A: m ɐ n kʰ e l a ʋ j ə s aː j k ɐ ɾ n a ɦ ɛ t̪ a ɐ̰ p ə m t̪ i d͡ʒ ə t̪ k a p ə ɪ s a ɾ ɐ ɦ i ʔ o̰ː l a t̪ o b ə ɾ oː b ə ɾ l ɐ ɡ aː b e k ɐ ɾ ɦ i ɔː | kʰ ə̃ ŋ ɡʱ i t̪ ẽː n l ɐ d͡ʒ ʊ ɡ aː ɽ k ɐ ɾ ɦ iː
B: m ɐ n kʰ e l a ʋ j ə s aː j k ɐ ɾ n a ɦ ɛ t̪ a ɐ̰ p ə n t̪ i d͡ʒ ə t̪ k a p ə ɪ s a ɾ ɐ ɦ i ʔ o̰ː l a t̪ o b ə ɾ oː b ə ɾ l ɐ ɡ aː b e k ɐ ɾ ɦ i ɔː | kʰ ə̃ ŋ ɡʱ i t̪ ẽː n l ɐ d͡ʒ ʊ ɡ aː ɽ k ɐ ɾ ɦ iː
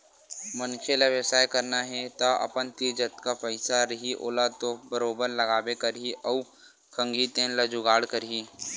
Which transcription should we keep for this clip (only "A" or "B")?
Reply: B